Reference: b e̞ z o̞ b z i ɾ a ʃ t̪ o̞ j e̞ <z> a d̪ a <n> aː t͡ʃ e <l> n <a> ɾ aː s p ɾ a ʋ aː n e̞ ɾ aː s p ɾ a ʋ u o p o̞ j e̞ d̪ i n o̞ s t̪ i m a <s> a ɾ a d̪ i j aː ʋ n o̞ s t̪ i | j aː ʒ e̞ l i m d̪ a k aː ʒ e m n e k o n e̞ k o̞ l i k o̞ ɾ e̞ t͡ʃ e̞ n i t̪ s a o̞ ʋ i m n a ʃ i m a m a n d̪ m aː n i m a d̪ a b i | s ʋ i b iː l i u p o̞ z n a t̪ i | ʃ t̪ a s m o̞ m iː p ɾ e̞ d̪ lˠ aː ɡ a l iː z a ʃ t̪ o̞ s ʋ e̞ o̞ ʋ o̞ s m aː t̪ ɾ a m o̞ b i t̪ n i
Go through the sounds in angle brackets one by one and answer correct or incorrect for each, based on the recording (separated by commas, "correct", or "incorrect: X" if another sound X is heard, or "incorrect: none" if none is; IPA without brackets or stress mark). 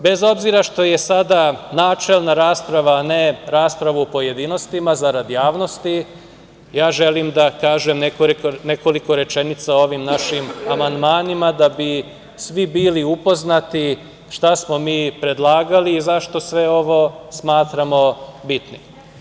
incorrect: s, correct, correct, correct, incorrect: z